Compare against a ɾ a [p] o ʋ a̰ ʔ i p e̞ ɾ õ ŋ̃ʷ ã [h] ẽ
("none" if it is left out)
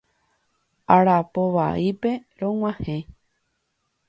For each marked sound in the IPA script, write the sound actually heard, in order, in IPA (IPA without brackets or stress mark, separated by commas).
p, h